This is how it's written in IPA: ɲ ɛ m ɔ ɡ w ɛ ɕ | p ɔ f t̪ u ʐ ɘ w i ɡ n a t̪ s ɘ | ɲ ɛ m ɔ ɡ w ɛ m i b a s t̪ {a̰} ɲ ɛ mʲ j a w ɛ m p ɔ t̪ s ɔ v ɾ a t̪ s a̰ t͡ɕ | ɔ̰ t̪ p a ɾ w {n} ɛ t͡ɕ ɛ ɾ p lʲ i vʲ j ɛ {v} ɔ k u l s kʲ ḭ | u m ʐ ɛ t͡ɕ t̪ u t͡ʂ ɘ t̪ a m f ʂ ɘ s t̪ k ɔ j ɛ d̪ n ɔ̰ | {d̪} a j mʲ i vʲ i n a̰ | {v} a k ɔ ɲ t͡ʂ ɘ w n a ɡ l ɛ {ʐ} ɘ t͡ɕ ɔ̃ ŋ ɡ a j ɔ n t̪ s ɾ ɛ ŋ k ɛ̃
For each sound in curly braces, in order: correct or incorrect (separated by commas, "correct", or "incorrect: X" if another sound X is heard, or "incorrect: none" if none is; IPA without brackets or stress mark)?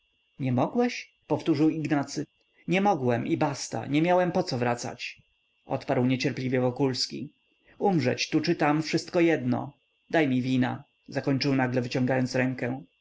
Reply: correct, incorrect: ɲ, correct, correct, incorrect: z, incorrect: v